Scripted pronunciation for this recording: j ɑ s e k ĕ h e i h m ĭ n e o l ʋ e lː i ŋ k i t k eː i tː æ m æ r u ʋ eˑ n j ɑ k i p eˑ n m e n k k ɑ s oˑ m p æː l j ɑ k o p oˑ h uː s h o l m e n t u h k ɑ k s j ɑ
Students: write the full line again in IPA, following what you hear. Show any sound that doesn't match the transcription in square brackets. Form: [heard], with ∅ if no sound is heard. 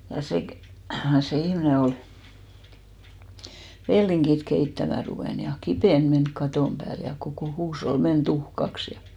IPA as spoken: j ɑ s e k ĕ [s] e i h m ĭ n e o l ʋ e lː i ŋ k i t k [e] i tː æ m æ r u ʋ eˑ n j ɑ k i p eˑ n m e n k k ɑ [t] oˑ m p æː l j ɑ k o [k] oˑ h uː s h o l m e n t u h k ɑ k s j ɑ

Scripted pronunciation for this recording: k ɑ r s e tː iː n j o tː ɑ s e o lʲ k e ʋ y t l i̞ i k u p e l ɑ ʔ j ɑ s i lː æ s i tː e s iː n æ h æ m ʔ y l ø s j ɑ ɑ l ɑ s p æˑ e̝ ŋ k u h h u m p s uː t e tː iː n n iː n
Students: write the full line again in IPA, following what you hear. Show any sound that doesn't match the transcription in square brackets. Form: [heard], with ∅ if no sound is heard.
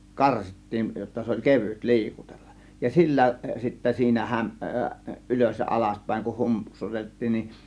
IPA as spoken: k ɑ r s [i] tː iː n j o tː ɑ s e o lʲ k e ʋ y t l i̞ i k u [t] e [lː] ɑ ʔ j ɑ s i lː æ s i tː e s iː n æ h æ m ʔ y l ø s j ɑ ɑ l ɑ s p æˑ e̝ ŋ k u h h u m p s [u] t e tː iː n n [i] n

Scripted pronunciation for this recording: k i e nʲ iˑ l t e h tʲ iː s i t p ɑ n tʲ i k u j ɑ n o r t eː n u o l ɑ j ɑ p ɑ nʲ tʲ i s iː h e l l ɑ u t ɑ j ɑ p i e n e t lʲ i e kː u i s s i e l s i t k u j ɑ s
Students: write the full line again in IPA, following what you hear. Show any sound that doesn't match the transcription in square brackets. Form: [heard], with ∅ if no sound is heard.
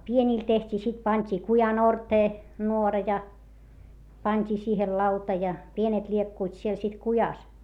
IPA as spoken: [p] i e nʲ iˑ l t e h tʲ iː s i t p ɑ n tʲ i k u j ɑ n o r t eː n u o [r] ɑ j ɑ p ɑ nʲ tʲ [iː] s iː h e l l ɑ u t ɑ j ɑ p i e n e t lʲ i e kː u i [t] s i e l s i t k u j ɑ s

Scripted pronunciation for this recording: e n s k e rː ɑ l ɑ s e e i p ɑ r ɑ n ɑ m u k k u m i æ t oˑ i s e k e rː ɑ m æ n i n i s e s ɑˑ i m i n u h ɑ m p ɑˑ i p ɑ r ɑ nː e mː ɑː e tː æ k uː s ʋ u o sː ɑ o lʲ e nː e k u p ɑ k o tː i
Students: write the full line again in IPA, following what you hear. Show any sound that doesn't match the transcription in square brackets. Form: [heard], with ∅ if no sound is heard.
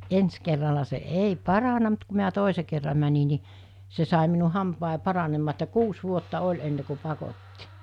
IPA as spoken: e n s k e rː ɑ l ɑ s e e i p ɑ r ɑ n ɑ m u [t] k u m i æ t oˑ i s e k e rː ɑ m æ n i n i s e s ɑˑ i m i n u h ɑ m p ɑˑ i p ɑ r ɑ [n] e mː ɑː e tː æ k uː s ʋ u o [tː] ɑ o lʲ e nː e k u p ɑ k o tː i

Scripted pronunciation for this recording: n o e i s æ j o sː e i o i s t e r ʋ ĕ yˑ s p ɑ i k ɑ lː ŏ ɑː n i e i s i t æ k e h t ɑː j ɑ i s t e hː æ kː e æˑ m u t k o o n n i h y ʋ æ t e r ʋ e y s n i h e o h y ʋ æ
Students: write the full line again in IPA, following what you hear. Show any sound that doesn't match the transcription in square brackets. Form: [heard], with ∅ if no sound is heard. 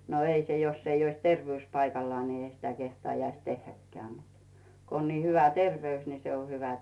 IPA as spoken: n o e i s [e] j o sː e i o i s t e r ʋ ĕ yˑ s p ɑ i k ɑ lː ŏ ɑː n i e i s i t æ k e h t ɑː j ɑ i s t e hː æ kː e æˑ m u t k o o n n i h y ʋ æ t e r ʋ e y s n i [s] e o h y ʋ æ

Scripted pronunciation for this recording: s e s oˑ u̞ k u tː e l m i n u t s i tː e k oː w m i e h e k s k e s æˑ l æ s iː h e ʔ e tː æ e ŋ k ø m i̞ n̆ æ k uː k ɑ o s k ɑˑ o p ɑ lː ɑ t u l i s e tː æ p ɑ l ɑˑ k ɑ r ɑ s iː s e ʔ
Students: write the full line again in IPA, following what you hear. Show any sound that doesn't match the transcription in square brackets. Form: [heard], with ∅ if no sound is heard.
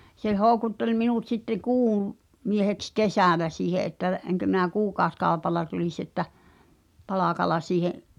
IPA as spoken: s e [h] oˑ u̞ k u tː e l m i n u t s i tː e k [uː] w m i e h e k s k e s æˑ l æ s iː h e ʔ e tː æ e ŋ k ø m i̞ n̆ æ k uː k ɑ o s k ɑˑ o p ɑ lː ɑ t u l i s e tː æ p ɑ l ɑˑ k ɑ [l] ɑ s iː [h] e ʔ

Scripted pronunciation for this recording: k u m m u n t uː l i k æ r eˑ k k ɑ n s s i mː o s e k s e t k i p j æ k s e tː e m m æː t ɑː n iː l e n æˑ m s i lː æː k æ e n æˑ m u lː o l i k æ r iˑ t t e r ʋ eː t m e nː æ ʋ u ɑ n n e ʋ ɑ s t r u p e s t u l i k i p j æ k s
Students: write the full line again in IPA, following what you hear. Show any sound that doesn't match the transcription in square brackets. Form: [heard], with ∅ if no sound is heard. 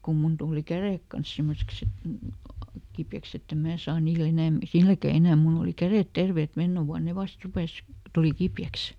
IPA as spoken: k u m m u n t uː l i k æ r eˑ k k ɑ n s s i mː o s e k s e t k i p j æ k s e tː e m m æː [s] ɑː n iː l e n æˑ m s i lː [æ] k æ e n æˑ m u lː o l i k æ r [eˑ] t t e r ʋ eː t m e nː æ ʋ u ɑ n n e ʋ ɑ s t r u p e s t u l i k i p j æ k s

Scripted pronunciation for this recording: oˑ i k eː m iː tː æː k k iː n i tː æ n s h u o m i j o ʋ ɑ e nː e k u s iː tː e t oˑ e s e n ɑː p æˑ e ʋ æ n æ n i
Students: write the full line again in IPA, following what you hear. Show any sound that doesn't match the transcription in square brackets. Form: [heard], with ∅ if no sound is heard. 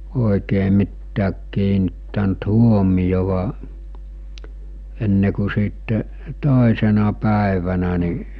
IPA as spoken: oˑ i k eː m [i] tː æː k k iː n i tː æ n [t] h u o m i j o ʋ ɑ e nː e k u s iː tː e t oˑ e s e n [ɑ] p æˑ e ʋ æ n æ n i

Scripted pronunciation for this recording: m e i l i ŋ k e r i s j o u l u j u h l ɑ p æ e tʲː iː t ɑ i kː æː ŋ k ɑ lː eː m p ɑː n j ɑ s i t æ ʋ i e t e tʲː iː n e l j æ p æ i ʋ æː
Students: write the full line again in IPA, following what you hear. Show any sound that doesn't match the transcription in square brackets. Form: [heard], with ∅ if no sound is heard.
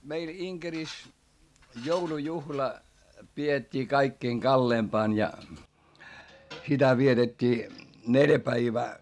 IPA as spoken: m e i l i ŋ k e r i s j o u l u j u h l ɑ p [i] e tʲː iː [k] ɑ i kː [iː] ŋ k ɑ lː eː m p ɑː n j ɑ s i t æ ʋ i e t e tʲː iː n e l j æ p æ i ʋ æː

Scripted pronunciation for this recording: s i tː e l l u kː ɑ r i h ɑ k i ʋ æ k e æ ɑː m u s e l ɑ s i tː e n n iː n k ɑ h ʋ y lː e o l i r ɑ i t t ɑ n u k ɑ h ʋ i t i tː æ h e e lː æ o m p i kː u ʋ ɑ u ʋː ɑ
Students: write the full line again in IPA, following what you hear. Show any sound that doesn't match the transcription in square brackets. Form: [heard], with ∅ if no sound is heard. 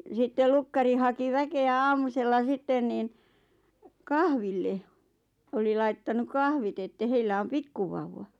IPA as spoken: s i tː e l l u kː ɑ r i h ɑ k i ʋ æ k e æ ɑː m u s e [lː] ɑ s i tː e n n iː n k ɑ h ʋ [i] lː e o l i [l] ɑ i t t ɑ n u k ɑ h ʋ i t [e] tː æ h e [i] lː æ o m p i kː u ʋ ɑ u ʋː ɑ

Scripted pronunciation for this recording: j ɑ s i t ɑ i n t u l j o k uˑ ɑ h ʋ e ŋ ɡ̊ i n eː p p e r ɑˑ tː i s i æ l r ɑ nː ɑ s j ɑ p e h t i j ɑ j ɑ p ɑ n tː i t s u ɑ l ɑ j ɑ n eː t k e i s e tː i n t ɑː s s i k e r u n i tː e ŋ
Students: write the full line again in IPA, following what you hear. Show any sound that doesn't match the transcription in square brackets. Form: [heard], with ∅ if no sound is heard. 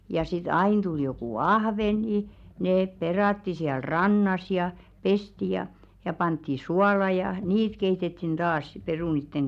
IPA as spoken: j ɑ s i t ɑ i n t u l j o k uˑ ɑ h ʋ e ŋ ɡ̊ i n eː p p e r ɑˑ tː i s i æ l r ɑ nː ɑ s j ɑ p e [s] t i j ɑ j ɑ p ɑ n tː i [∅] s u ɑ l ɑ j ɑ n [iː] t k e i [t] e tː i n t ɑː s s i [p] e r u n i tː e ŋ

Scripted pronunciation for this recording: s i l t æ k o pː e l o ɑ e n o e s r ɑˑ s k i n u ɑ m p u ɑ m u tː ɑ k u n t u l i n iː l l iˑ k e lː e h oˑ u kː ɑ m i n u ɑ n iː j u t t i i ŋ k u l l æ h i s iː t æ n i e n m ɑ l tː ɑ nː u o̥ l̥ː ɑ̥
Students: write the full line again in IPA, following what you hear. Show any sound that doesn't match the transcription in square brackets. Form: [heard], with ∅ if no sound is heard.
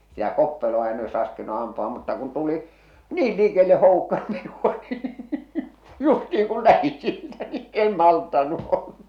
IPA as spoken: s i [∅] t æ k o pː e l o ɑ e n o e s r ɑˑ s k i n u ɑ m p u ɑ m u tː ɑ k u n t u l i n iː l l iˑ k e lː e h oˑ u kː ɑ m i n u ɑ n iː j u [s] t i i ŋ k u l l æ h i s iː t æ n i e n m ɑ l tː ɑ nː u o̥ l̥ː ɑ̥

